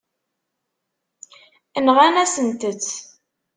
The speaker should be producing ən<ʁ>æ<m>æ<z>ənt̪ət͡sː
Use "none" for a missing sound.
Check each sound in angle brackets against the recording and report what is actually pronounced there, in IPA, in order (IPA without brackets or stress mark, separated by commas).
ʁ, n, s